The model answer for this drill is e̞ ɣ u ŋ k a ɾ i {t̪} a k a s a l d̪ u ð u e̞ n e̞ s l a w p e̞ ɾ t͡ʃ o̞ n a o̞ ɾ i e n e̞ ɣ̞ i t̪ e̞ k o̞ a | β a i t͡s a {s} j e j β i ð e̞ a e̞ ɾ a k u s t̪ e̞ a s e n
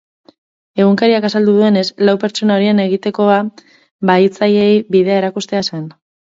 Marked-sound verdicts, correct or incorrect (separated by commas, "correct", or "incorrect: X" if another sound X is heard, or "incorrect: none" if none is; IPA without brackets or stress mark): incorrect: none, incorrect: none